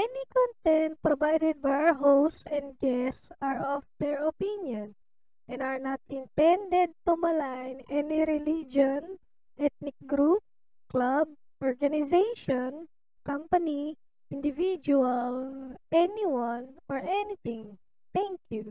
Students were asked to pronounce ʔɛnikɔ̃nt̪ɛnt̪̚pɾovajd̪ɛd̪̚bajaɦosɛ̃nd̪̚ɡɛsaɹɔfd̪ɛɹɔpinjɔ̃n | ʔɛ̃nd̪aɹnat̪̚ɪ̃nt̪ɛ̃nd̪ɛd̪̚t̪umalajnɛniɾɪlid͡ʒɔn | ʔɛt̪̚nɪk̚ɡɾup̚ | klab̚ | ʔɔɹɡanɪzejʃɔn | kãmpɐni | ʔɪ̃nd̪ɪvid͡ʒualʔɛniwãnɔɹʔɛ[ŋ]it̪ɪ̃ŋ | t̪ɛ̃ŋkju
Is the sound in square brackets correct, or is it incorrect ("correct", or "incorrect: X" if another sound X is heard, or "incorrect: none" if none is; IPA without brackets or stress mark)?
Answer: incorrect: n